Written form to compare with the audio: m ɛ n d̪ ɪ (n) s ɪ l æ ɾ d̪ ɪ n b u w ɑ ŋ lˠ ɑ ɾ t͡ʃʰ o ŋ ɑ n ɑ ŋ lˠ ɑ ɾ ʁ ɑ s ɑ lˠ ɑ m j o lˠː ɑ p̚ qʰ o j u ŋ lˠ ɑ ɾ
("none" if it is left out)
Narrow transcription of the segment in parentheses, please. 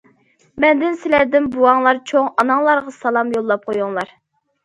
n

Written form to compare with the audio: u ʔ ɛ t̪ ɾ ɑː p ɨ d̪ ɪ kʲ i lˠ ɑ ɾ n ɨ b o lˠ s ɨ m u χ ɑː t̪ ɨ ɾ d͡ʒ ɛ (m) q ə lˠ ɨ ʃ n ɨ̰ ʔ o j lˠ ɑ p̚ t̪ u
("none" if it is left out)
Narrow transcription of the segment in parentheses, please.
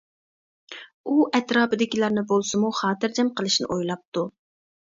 m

